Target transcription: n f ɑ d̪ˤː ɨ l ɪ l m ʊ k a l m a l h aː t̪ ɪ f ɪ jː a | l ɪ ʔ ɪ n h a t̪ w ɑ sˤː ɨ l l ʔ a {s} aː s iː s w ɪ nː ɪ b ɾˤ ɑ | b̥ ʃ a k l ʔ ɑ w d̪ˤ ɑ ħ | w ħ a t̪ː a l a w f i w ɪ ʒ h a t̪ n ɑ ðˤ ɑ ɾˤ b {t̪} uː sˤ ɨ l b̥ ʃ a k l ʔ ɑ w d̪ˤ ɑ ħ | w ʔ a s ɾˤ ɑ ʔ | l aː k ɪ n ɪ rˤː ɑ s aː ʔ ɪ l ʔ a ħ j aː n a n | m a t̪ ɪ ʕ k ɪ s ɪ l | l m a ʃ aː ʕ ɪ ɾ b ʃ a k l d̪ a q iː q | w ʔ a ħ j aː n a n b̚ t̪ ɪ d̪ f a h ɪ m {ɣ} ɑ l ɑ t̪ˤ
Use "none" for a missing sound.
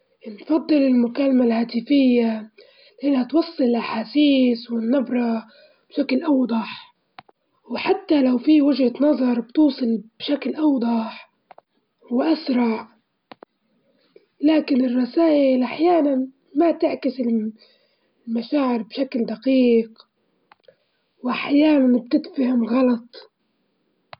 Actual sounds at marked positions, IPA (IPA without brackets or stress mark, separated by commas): ħ, t̪, ɣ